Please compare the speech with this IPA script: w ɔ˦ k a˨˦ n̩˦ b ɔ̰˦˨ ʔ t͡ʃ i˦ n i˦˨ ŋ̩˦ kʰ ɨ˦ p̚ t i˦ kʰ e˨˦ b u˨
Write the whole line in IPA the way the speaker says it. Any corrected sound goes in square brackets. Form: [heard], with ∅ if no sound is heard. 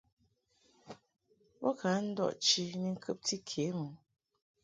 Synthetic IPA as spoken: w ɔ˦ k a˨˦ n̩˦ [d] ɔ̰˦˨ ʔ t͡ʃ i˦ n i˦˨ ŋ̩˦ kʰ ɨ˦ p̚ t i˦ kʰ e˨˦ [m] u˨